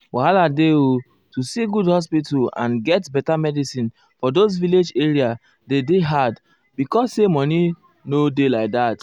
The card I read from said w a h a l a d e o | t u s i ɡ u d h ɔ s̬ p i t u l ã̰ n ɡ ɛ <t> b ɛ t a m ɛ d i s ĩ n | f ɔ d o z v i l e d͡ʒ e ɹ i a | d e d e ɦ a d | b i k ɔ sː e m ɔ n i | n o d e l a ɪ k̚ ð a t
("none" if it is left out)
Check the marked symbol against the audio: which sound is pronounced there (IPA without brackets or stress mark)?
t